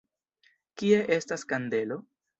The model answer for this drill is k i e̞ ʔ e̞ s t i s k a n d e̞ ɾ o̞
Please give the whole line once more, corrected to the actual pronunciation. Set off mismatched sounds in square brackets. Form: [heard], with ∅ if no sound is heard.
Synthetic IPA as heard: k i e̞ ʔ e̞ s t [a] s k a n d e̞ [l] o̞